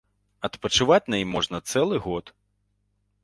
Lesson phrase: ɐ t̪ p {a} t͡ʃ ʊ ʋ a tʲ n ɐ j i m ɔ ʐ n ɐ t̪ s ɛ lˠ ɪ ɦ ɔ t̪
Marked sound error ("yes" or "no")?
yes